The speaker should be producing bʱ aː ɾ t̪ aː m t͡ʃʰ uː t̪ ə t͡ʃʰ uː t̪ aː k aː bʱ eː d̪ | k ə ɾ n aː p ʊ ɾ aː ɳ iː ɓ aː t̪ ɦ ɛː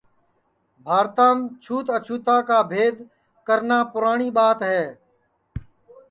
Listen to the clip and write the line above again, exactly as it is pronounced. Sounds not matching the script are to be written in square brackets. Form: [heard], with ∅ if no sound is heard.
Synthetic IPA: bʱ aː ɾ t̪ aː m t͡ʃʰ uː t̪ ə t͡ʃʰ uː t̪ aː k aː bʱ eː d̪ | k ə ɾ n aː p ʊ ɾ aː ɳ iː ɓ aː t̪ ɦ ɛː

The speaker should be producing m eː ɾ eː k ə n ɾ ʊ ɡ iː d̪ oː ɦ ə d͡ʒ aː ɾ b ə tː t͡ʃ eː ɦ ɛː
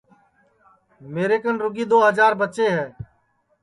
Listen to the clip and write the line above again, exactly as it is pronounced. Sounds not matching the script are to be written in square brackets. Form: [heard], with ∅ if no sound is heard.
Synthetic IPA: m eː ɾ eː k ə n ɾ ʊ ɡ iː d̪ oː ɦ ə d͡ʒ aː ɾ b ə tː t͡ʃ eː ɦ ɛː

